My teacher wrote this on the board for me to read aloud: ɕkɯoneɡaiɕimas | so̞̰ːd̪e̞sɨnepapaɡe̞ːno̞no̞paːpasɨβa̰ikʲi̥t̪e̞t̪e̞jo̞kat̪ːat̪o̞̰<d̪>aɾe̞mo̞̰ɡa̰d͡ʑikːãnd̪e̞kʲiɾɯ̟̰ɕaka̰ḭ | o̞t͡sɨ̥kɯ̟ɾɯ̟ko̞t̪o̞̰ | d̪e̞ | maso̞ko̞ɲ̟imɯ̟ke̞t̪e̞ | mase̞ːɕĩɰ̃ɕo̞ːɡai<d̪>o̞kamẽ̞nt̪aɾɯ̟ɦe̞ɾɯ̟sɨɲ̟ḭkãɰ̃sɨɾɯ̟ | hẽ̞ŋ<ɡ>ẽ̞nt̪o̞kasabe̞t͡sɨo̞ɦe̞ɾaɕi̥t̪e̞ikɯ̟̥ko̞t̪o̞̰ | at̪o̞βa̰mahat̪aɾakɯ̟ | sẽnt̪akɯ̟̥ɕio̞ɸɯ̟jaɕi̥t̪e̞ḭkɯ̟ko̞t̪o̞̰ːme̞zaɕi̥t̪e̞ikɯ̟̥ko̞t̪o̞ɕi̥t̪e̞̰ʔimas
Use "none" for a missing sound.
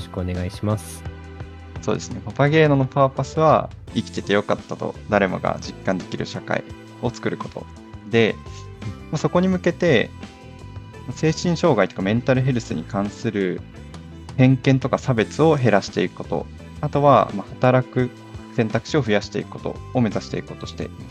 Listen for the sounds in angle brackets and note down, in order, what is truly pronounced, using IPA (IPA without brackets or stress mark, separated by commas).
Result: d̪, t̪, k